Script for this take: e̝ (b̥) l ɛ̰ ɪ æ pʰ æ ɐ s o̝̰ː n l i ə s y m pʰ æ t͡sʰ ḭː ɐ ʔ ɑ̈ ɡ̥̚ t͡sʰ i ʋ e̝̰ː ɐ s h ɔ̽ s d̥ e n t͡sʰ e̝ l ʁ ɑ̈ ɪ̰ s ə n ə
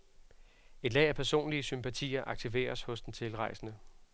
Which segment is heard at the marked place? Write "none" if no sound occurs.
d̥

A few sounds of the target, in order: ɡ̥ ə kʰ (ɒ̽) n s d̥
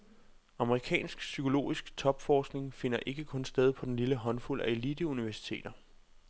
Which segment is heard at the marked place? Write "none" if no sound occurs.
ɔ̽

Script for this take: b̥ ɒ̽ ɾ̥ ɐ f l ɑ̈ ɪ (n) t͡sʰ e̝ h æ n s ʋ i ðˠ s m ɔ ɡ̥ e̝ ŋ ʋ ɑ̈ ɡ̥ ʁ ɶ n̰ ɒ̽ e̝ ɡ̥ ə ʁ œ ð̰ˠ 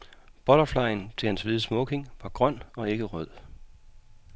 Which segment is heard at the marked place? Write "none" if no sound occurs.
n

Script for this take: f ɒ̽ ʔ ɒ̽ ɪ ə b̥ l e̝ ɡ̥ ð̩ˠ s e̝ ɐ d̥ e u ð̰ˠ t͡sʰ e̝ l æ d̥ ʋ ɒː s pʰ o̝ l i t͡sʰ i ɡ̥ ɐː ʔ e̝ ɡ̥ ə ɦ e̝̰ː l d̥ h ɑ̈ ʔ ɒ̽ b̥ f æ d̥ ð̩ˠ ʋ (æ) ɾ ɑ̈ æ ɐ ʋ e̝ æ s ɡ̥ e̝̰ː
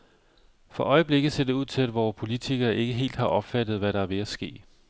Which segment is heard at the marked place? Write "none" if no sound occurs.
æ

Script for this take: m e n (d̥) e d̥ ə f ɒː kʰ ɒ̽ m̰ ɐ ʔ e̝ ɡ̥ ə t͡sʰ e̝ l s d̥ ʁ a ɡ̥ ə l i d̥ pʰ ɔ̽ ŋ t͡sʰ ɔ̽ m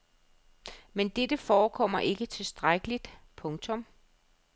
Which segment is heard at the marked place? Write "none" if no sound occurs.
d̥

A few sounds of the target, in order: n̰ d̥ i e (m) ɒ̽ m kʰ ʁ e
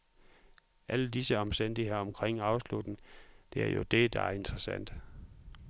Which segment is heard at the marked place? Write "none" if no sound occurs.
none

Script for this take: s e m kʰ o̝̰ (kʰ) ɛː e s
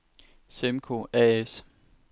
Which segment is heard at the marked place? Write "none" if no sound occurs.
none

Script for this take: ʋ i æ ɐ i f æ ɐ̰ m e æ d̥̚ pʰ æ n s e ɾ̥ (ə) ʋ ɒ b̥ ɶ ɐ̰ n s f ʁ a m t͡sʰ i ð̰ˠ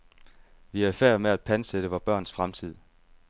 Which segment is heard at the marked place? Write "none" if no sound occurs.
ə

